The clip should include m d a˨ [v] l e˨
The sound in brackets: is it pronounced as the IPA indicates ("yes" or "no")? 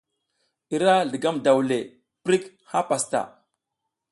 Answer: no